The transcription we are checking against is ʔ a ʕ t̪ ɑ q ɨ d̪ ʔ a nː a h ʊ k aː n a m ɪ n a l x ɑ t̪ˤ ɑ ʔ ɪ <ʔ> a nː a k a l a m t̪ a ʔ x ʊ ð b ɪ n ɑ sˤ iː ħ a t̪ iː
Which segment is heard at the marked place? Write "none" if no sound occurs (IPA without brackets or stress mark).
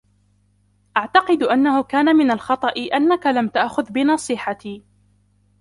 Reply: ʔ